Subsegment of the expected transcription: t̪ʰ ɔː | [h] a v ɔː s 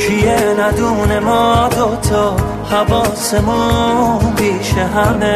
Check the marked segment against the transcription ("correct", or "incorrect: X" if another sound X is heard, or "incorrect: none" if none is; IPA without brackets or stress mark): correct